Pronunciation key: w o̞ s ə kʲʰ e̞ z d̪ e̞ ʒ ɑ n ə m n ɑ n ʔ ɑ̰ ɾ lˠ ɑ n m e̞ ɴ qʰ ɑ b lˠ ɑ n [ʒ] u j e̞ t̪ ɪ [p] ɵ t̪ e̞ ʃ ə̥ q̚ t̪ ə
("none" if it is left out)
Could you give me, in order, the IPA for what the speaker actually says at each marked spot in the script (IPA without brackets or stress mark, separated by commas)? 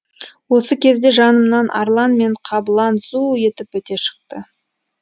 z, p